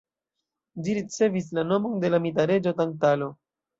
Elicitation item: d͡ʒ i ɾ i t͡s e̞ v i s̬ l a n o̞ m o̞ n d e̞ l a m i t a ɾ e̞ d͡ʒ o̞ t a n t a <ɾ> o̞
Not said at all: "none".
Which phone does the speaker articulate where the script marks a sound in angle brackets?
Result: l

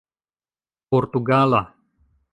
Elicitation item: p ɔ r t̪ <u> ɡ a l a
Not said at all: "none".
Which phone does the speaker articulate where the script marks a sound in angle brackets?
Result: u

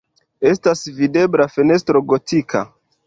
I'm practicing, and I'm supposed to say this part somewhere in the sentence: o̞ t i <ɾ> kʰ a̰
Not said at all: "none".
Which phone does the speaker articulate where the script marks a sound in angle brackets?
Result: none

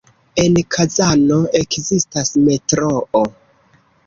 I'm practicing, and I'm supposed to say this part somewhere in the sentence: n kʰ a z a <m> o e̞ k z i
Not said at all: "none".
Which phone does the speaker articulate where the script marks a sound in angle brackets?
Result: n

